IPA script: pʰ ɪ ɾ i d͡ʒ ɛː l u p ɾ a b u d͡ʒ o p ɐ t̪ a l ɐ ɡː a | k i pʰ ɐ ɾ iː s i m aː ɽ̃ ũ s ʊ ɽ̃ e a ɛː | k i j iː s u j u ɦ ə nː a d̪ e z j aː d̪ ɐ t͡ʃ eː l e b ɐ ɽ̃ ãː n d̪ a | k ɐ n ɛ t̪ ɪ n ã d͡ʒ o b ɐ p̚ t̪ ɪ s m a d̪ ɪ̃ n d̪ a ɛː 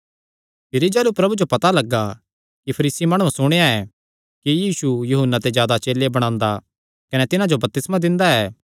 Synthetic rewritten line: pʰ ɪ ɾ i d͡ʒ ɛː l u p ɾ ɐ b u d͡ʒ o p ɐ t̪ a l ɐ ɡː a | k i pʰ ɐ ɾ iː s i m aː ɽ̃ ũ s ʊ ɽ̃ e a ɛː | k i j iː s u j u ɦ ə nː a t̪ e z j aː d̪ a t͡ʃ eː l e b ɐ ɽ̃ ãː n d̪ a | k ɐ n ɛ t̪ ɪ n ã d͡ʒ o b ɐ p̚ t̪ ɪ s m a d̪ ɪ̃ n d̪ a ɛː